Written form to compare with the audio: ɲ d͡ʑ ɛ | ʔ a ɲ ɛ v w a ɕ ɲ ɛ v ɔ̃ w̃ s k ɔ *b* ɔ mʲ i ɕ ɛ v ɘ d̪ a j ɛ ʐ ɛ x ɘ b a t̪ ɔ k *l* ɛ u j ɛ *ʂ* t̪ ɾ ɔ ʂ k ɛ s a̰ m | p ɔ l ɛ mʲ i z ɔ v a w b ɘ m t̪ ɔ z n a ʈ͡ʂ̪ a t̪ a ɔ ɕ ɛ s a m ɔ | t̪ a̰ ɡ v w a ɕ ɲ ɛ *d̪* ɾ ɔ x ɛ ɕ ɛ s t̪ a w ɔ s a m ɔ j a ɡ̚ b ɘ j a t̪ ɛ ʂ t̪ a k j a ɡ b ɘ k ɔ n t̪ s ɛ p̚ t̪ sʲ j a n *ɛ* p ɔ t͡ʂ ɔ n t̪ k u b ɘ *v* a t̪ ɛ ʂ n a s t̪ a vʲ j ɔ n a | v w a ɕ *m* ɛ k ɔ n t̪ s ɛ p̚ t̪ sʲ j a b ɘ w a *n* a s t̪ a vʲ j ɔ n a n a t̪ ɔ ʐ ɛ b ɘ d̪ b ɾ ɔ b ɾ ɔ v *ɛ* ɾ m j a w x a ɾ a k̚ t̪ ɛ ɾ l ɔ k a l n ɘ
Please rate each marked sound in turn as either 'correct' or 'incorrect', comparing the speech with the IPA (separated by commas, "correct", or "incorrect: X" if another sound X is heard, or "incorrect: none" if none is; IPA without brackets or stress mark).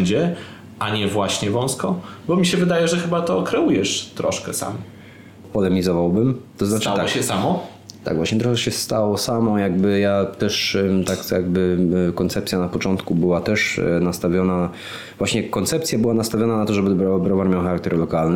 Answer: correct, incorrect: ɾ, correct, incorrect: t̪, incorrect: a, incorrect: w, incorrect: ɲ, correct, incorrect: a